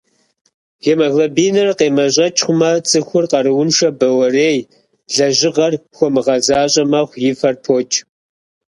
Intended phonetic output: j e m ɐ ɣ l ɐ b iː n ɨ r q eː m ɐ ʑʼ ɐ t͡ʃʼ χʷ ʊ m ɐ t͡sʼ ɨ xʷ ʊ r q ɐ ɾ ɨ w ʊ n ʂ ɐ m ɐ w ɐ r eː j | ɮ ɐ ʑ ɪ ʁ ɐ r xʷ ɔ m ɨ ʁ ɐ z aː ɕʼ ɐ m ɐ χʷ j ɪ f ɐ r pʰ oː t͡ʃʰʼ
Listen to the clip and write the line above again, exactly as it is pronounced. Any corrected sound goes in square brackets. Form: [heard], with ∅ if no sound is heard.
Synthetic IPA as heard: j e m ɐ ɣ l ɐ b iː n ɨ r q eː m ɐ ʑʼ ɐ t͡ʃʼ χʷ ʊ m ɐ t͡sʼ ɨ xʷ ʊ r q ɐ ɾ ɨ w ʊ n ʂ ɐ [b] ɐ w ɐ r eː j | ɮ ɐ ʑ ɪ ʁ ɐ r xʷ ɔ m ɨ ʁ ɐ z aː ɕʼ ɐ m ɐ χʷ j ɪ f ɐ r pʰ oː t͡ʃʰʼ